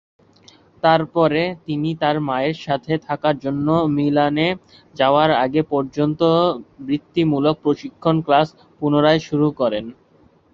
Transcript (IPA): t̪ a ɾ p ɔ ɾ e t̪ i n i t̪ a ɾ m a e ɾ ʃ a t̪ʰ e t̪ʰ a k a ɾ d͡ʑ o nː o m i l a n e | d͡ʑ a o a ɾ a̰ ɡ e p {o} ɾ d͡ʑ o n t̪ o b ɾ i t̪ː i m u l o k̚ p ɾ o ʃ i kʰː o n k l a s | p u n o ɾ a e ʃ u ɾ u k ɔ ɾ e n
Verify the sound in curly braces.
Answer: incorrect: ɔ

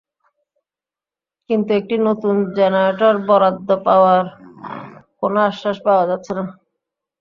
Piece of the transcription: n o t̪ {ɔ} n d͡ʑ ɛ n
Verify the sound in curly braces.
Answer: incorrect: u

